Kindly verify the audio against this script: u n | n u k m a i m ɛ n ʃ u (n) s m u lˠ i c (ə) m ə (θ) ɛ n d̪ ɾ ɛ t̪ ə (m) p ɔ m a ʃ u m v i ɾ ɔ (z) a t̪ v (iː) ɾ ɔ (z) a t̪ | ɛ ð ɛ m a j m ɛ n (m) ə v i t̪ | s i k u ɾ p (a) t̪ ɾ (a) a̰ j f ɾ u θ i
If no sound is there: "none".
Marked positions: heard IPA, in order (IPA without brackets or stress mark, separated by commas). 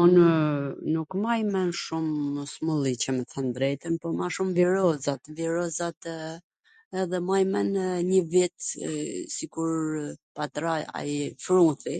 m, ə, θ, n, z, i, z, ɲ, a, a